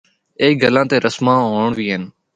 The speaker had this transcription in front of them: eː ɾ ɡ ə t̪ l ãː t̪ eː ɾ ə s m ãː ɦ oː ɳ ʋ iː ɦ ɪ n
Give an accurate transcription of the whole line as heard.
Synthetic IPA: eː ɡ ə l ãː t̪ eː ɾ ə s m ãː ɦ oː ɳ ʋ iː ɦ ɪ n